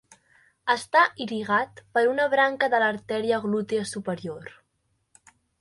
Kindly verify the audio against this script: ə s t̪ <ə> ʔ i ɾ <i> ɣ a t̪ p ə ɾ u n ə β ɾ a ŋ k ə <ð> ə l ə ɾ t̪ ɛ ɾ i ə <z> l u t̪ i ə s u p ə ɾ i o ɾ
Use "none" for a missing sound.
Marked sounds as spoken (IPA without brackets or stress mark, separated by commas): a, i, ð, ɣ